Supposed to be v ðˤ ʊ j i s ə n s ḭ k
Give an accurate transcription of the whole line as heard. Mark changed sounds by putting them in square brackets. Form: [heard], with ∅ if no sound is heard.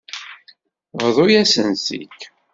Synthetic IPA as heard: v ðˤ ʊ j [æ] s ə n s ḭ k